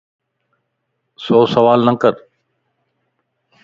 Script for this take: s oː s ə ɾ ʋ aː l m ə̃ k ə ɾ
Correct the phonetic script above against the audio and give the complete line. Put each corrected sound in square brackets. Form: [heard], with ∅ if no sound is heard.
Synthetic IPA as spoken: s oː s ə [∅] ʋ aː l [n] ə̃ k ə ɾ